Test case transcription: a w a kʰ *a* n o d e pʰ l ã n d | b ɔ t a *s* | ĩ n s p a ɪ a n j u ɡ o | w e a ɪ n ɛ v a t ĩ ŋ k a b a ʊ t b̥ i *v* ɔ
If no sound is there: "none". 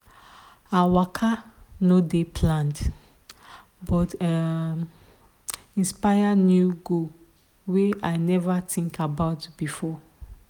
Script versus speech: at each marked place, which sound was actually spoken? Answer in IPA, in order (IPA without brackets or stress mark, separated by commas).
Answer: a, none, f